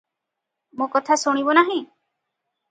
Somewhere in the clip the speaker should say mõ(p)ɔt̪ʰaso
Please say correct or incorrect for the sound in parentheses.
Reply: incorrect: k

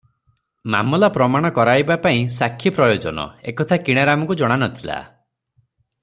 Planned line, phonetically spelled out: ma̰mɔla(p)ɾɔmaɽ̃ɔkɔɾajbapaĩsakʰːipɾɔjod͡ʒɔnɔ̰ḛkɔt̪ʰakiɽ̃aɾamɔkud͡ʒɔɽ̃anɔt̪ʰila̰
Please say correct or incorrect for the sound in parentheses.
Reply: correct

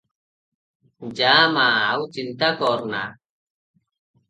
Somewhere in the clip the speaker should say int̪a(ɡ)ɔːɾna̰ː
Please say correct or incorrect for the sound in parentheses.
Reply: incorrect: k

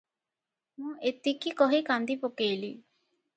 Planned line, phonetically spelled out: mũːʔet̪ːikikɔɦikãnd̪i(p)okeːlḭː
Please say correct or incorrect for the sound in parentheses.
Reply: correct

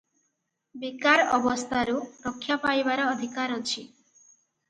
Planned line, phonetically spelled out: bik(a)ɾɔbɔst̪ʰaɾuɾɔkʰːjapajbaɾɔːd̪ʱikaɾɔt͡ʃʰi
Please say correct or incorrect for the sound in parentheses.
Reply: correct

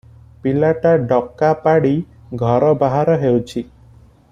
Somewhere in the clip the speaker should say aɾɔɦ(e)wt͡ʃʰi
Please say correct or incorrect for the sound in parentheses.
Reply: correct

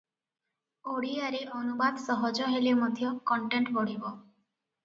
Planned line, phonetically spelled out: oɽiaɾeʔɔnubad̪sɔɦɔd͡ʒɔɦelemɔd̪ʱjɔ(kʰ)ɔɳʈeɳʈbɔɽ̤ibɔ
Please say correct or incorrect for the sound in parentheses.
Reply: incorrect: k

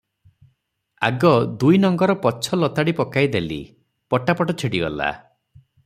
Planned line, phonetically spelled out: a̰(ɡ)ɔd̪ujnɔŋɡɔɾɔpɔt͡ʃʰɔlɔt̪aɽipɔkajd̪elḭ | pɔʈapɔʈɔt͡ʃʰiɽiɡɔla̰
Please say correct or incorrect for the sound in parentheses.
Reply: correct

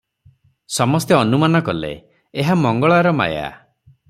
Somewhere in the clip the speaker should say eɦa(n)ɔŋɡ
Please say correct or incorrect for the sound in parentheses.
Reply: incorrect: m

